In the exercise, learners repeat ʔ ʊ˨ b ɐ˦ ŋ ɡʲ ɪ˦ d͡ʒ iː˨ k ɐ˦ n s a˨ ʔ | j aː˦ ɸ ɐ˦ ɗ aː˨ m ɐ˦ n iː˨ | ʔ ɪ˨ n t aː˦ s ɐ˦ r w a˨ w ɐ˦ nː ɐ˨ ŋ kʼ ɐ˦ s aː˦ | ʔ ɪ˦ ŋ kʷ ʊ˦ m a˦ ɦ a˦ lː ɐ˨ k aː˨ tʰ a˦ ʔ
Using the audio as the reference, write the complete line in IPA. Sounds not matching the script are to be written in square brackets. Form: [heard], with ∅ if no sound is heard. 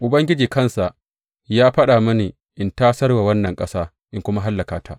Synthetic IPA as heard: ʔ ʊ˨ b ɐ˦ ŋ ɡʲ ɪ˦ d͡ʒ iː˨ k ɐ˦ n s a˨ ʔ | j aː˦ ɸ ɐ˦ ɗ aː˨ m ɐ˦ n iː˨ | ʔ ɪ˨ n t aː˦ s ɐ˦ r w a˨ w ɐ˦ nː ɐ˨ ŋ kʼ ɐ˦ s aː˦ | ʔ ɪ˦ ŋ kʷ ʊ˦ m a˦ ɦ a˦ lː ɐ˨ k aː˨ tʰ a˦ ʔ